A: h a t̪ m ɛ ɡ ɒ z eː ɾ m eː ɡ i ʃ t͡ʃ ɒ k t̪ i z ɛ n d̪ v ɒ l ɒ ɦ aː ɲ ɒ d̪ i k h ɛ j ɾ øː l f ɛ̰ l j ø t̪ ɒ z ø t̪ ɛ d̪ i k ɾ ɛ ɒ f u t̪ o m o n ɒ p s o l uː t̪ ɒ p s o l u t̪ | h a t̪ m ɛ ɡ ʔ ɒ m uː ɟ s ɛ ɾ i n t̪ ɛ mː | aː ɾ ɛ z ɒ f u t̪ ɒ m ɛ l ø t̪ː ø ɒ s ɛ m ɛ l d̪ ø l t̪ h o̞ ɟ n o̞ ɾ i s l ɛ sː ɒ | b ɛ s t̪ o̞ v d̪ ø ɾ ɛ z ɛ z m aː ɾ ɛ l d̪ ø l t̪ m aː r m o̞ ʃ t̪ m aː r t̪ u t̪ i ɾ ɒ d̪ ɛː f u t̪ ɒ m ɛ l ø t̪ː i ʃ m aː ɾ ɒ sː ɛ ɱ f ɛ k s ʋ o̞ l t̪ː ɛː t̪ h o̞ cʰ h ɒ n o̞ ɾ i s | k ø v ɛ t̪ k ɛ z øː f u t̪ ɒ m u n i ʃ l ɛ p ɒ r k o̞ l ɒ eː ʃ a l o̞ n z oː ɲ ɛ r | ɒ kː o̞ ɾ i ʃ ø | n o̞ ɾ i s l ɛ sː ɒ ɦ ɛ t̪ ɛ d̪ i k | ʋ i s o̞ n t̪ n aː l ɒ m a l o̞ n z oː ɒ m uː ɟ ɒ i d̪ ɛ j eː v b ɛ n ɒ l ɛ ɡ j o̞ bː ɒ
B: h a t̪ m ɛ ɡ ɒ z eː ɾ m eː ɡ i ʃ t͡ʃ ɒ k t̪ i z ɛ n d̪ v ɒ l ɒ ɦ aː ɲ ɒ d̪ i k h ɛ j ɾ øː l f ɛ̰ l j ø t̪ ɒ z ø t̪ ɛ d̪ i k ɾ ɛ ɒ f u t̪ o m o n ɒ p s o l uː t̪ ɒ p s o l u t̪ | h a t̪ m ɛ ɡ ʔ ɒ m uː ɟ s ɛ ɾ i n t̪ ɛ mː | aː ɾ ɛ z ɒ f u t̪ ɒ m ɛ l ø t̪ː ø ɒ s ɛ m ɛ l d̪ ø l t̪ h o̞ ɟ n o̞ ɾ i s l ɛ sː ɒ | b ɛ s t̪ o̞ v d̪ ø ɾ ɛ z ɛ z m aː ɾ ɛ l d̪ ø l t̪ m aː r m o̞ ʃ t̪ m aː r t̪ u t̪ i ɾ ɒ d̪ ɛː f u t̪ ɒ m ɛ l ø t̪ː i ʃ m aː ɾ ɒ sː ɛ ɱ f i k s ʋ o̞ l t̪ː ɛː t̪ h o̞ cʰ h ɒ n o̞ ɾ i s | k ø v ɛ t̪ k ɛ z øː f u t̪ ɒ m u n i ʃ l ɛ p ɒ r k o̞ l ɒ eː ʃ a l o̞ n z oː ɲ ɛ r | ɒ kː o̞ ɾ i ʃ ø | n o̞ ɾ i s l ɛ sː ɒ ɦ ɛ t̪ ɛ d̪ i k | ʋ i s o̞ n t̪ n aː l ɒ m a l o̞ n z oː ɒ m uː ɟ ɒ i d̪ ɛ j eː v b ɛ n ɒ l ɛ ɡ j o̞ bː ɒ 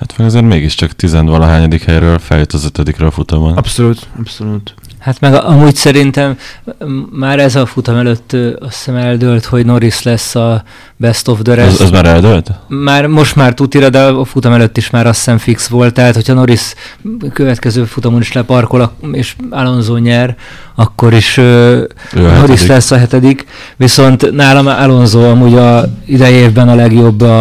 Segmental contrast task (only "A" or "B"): B